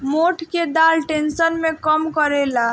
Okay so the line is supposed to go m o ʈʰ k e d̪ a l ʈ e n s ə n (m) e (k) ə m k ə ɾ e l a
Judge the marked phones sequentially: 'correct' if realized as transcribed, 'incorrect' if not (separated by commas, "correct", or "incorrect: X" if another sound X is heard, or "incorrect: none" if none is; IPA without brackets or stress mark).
correct, correct